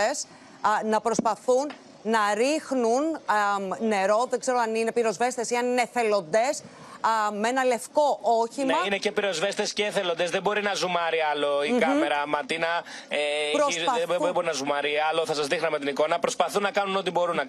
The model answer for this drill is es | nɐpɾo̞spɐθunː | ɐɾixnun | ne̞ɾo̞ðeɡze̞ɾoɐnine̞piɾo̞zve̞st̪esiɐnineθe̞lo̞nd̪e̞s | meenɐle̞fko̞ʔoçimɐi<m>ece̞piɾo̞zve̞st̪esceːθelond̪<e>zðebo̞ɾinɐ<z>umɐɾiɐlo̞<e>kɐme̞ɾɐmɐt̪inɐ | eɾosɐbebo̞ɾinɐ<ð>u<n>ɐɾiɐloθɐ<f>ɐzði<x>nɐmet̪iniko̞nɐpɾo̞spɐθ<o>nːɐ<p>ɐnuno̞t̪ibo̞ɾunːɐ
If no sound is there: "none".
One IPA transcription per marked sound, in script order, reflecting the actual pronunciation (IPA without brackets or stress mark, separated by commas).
n, e, z, i, z, m, s, x, u, k